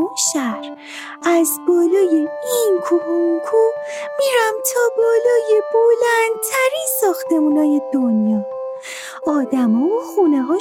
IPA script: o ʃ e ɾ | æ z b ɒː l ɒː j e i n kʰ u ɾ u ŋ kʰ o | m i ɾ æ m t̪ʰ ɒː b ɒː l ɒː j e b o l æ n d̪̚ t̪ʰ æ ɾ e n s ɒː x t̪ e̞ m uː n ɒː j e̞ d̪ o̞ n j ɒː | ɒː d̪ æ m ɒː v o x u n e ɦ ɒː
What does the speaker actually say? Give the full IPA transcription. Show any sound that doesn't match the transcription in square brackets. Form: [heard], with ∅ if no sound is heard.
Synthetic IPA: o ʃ [æ] ɾ | æ z b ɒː l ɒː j e i n kʰ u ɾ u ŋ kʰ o | m i ɾ æ m t̪ʰ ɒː b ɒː l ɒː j e b o l æ n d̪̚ t̪ʰ æ ɾ [i] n s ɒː x t̪ e̞ m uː n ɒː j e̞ d̪ o̞ n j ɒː | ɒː d̪ æ m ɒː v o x u n e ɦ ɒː